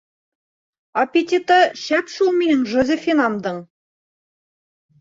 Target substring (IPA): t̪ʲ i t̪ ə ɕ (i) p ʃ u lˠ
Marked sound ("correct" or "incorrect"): incorrect